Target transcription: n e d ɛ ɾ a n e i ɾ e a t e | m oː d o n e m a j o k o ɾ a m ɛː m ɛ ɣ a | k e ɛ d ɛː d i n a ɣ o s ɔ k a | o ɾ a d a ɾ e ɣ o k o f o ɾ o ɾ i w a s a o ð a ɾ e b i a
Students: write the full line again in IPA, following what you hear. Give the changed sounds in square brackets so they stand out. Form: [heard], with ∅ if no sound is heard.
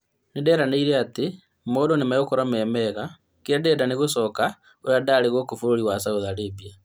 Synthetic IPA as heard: n e d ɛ ɾ a n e i ɾ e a t e | m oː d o n e m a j o k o ɾ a m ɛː m ɛ ɣ a | k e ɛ d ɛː d [a] n [e] ɣ o s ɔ k a | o ɾ a d a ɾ e ɣ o k o f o ɾ o ɾ i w a s a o ð a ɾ e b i a